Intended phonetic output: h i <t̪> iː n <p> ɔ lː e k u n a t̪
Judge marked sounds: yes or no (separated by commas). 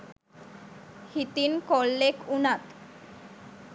yes, no